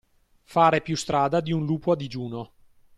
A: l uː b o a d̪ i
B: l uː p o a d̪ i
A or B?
B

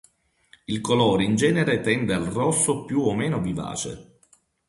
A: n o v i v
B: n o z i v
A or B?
A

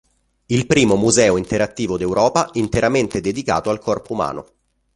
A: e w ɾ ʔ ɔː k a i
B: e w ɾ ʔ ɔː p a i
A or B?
B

